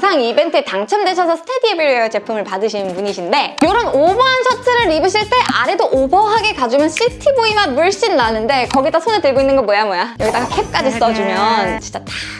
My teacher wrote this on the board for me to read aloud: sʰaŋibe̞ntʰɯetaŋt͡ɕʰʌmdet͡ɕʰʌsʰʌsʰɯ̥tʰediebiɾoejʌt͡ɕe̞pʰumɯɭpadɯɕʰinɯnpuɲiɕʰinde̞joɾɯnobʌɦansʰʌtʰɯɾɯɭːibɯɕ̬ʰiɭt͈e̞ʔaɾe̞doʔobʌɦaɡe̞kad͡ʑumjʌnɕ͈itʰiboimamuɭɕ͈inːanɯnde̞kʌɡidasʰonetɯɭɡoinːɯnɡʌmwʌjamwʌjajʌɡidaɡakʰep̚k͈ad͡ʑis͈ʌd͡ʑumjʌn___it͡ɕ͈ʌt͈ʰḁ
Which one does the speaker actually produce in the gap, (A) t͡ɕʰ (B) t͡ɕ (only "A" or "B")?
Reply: B